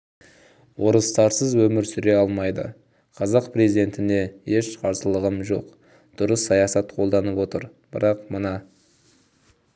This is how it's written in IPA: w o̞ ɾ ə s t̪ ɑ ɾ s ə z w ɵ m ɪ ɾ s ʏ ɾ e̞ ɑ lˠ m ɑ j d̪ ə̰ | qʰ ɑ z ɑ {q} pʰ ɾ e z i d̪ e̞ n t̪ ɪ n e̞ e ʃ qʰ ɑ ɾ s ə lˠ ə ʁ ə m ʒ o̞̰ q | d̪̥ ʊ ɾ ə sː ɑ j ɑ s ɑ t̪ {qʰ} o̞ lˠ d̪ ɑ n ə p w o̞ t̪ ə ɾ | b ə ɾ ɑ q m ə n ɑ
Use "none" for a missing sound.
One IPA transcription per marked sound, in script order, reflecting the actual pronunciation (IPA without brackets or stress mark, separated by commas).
q, qʰ